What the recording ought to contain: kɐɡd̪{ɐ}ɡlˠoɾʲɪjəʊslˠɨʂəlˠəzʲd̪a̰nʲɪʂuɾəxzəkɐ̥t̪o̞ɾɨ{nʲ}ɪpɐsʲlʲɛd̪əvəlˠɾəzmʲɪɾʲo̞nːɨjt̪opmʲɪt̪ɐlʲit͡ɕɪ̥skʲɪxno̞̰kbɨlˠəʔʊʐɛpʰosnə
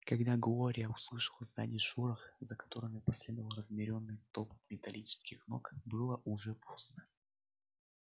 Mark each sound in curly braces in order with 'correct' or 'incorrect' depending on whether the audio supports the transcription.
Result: incorrect: a, incorrect: mʲ

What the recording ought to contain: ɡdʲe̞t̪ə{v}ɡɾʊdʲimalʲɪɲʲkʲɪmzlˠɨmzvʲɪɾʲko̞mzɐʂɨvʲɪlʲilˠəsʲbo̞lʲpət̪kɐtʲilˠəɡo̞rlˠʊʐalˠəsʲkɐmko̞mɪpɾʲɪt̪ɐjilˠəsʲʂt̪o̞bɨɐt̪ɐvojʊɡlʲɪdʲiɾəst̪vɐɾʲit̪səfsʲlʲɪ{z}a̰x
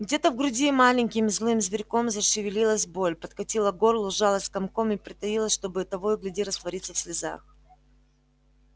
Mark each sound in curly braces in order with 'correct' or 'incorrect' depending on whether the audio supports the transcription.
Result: correct, correct

